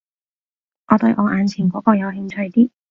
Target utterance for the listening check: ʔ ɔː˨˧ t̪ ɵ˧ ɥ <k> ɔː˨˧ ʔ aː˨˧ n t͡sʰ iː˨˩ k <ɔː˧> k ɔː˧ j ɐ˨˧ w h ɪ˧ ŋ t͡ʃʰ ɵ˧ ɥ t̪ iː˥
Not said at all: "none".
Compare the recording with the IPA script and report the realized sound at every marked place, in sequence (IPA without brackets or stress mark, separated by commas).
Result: ʔ, ɔː˨˥